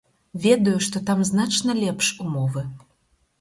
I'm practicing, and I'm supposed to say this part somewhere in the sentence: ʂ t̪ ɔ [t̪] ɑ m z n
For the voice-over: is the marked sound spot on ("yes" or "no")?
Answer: yes